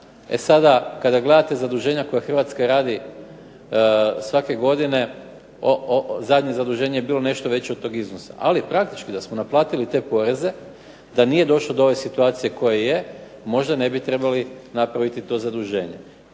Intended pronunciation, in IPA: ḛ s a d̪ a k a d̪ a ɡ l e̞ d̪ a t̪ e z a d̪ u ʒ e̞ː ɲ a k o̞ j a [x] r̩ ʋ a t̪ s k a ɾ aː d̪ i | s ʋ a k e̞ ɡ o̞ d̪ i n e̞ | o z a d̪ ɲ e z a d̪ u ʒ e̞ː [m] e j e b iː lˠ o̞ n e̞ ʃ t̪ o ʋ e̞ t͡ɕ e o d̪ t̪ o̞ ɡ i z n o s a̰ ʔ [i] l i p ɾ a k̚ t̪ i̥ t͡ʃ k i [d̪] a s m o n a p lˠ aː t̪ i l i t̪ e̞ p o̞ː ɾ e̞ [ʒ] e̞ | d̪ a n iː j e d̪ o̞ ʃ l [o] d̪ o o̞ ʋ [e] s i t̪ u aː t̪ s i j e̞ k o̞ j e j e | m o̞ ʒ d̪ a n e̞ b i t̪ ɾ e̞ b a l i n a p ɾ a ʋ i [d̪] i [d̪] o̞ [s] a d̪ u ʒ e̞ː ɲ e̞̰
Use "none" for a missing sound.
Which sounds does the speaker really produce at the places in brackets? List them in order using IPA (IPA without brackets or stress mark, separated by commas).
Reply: x, ɲ, a, d̪, z, o, e, t̪, t̪, z